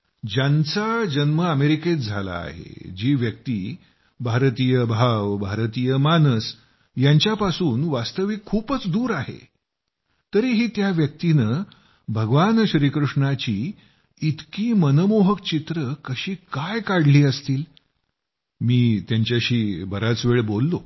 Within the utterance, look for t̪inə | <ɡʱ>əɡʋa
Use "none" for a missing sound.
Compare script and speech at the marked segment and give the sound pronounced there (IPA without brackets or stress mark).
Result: bʱ